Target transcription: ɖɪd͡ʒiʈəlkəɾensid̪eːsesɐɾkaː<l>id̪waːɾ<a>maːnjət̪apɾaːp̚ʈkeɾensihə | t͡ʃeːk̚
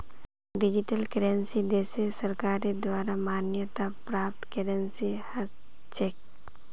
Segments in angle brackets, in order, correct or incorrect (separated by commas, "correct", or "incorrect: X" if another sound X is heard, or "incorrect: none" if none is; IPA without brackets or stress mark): incorrect: ɾ, correct